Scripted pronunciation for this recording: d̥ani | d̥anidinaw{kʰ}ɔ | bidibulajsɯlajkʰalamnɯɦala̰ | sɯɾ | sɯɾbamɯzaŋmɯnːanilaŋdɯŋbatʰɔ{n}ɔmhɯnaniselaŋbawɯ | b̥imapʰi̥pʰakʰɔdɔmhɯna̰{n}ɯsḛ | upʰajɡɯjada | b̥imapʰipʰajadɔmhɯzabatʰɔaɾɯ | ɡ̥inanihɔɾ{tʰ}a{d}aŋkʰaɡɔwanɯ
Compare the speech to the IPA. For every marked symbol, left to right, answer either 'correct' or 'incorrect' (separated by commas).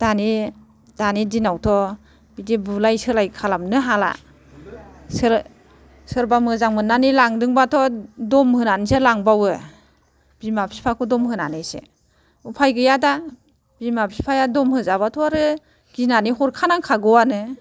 incorrect, incorrect, correct, incorrect, incorrect